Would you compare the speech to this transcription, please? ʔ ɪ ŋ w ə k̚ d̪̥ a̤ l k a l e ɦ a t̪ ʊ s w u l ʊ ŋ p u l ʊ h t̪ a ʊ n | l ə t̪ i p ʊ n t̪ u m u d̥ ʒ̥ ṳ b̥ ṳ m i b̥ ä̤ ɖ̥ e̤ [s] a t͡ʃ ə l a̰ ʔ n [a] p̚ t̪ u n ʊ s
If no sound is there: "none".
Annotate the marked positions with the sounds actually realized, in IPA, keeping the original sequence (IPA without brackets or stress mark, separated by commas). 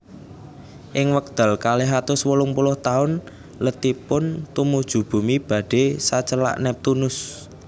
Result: s, ɛ